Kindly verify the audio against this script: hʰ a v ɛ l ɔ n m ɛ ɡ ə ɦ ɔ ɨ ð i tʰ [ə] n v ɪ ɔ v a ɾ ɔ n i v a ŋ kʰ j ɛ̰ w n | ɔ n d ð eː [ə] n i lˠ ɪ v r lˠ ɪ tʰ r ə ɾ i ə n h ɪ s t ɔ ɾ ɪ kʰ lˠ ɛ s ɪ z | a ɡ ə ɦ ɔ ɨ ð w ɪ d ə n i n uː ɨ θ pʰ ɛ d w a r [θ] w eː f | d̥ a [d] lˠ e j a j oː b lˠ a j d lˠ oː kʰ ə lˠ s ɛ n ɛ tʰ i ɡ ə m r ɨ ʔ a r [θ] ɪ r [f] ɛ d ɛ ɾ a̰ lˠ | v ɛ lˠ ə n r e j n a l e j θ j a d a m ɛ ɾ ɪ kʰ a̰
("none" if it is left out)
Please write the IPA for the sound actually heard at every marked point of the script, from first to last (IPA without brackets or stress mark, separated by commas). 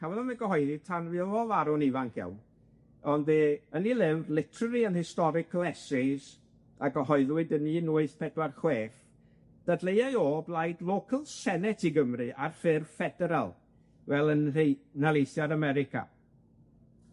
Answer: a, ə, χ, d, f, f